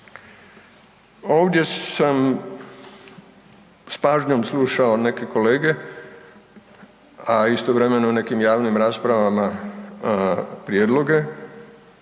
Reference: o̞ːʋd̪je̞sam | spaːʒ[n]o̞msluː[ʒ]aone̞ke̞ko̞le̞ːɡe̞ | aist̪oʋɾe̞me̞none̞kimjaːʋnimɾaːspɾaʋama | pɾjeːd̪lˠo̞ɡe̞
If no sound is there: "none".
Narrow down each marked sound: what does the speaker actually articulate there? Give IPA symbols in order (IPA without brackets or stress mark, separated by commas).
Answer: ɲ, ʃ